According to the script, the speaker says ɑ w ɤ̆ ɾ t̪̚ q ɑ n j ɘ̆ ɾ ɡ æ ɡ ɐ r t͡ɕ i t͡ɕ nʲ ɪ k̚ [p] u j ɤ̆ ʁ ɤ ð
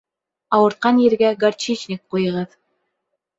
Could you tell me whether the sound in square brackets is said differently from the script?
yes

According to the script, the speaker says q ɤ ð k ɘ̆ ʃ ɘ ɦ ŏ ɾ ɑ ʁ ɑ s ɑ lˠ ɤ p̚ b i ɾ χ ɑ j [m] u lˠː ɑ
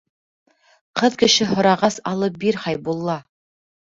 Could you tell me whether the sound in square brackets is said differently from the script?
yes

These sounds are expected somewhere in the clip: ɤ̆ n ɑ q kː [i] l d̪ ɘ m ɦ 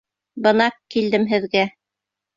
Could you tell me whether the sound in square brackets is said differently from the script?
no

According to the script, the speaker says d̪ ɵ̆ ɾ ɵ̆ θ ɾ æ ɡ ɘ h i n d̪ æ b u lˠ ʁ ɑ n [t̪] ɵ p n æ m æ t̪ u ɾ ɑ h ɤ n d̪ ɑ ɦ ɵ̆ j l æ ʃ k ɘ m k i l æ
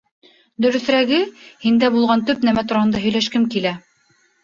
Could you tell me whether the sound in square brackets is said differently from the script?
no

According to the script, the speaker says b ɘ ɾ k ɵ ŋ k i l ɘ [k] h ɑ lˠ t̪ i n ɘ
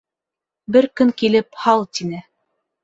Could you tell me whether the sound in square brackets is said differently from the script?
yes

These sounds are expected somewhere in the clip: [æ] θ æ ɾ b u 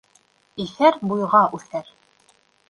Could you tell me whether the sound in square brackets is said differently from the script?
yes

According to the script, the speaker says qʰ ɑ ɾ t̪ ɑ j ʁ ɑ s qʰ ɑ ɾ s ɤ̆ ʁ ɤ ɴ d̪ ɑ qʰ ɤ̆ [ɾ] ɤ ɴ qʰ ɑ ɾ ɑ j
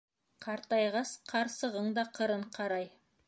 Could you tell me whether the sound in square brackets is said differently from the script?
no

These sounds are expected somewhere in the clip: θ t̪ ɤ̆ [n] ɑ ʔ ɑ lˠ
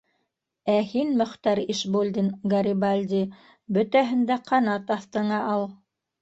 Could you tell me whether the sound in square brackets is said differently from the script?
yes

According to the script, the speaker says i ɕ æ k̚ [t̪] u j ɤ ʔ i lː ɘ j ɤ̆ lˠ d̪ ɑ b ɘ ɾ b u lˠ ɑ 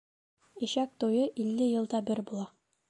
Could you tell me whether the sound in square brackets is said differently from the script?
no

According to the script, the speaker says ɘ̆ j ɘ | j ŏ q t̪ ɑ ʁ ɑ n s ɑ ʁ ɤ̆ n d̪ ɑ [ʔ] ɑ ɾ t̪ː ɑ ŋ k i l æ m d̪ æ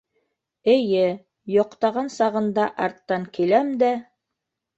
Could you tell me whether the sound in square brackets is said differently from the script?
no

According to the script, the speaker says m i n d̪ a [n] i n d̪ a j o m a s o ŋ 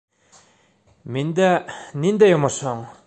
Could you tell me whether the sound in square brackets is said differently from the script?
no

